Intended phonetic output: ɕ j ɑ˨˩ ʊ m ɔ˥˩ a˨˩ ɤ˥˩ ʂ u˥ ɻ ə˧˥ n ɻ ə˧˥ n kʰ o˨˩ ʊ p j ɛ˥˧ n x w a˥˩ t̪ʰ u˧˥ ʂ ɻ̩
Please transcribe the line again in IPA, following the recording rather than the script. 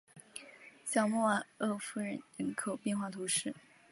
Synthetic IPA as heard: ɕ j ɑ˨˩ ʊ m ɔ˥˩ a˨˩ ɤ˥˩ f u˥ ɻ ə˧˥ n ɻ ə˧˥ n kʰ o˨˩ ʊ p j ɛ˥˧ n x w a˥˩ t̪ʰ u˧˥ ʂ ɻ̩

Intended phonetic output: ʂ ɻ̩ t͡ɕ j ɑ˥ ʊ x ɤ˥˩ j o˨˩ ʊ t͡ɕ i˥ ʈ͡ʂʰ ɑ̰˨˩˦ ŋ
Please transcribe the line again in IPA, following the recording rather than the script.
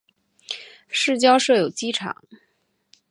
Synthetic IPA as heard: ʂ ɻ̩ t͡ɕ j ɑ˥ ʊ ʂ ɤ˥˩ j o˨˩ ʊ t͡ɕ i˥ ʈ͡ʂʰ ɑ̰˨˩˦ ŋ

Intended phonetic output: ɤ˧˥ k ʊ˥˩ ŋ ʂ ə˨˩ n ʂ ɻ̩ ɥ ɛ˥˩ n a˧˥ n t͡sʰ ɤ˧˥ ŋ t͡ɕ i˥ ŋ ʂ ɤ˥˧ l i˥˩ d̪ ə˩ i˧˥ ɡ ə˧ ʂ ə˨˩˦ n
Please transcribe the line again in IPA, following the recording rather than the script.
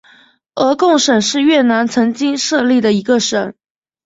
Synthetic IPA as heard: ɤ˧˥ k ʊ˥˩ ŋ ʂ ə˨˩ n ʂ ɻ̩ ɥ ɛ˥˩ n a˧˥ n t͡sʰ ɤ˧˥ ŋ t͡ɕ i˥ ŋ ʂ ɤ˥˧ l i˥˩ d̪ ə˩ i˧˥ ɡ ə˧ ʂ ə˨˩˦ n

